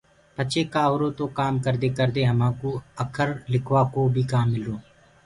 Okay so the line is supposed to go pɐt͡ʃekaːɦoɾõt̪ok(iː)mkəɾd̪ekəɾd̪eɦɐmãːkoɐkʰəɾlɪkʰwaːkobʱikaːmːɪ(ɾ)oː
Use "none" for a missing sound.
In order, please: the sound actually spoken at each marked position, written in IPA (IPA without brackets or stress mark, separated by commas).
aː, l